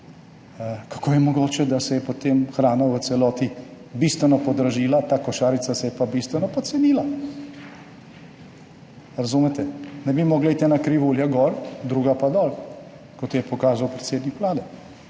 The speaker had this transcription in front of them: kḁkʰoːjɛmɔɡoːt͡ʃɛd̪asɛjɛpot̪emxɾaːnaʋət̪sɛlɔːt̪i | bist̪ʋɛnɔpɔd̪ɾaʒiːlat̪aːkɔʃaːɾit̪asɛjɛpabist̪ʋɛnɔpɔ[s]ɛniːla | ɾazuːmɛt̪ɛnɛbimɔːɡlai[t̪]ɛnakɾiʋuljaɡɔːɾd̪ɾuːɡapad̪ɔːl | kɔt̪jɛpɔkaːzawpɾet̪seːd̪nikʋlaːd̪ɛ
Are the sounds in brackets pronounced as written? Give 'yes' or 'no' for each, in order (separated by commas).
yes, yes